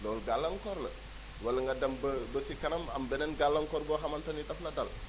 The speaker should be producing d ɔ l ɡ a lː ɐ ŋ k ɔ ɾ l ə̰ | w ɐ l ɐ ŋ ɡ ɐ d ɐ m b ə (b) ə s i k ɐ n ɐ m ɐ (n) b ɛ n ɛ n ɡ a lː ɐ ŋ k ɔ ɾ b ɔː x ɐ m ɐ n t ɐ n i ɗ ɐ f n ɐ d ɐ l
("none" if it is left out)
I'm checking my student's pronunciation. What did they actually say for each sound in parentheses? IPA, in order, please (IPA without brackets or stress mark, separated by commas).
b, m